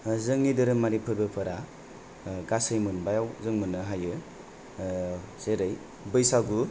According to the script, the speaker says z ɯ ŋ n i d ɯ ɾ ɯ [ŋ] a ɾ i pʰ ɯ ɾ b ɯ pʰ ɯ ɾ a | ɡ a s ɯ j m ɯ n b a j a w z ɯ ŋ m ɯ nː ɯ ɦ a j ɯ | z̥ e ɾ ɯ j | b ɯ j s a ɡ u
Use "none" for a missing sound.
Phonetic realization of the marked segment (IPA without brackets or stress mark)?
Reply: m